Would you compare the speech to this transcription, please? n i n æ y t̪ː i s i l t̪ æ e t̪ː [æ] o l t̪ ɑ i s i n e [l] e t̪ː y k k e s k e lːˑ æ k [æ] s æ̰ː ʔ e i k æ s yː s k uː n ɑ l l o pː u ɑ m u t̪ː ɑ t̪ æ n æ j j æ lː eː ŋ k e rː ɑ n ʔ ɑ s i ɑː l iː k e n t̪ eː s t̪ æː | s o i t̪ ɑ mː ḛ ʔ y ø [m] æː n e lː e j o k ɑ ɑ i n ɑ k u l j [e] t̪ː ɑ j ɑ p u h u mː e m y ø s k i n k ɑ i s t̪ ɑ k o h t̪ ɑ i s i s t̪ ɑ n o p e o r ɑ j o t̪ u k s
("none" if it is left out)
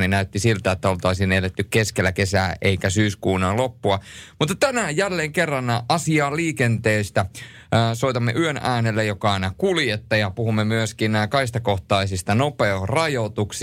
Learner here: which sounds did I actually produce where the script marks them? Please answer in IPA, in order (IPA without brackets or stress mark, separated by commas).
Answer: æ, l, e, n, e